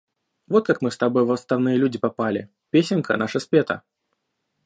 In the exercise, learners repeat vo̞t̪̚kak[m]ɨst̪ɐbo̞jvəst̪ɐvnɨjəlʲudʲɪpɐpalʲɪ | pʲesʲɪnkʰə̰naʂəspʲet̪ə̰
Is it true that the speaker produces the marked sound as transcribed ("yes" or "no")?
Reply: yes